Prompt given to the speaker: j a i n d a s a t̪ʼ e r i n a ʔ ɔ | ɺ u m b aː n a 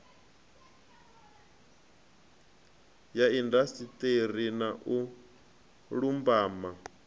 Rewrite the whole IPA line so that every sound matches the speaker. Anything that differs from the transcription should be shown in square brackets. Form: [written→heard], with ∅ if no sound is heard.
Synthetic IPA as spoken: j a i n d a s [a→i] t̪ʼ e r i n a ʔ [ɔ→u] | ɺ u m b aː [n→m] a